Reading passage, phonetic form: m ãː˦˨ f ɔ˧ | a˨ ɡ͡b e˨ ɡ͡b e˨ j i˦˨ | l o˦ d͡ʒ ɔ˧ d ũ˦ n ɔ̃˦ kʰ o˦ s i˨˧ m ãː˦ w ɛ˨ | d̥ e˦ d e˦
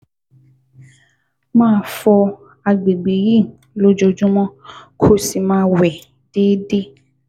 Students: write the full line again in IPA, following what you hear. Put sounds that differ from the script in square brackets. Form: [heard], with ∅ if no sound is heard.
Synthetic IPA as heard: m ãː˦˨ f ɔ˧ | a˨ ɡ͡b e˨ ɡ͡b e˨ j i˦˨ | l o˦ d͡ʒ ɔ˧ [d͡ʒ] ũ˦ [m] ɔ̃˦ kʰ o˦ s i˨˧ m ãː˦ w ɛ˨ | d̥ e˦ d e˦